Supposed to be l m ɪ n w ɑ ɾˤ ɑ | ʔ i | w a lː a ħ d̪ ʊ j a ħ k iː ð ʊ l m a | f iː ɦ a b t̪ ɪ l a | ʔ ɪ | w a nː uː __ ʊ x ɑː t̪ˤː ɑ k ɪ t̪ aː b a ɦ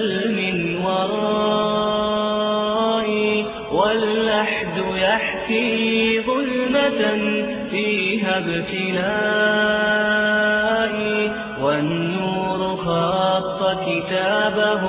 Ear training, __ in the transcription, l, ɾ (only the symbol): ɾ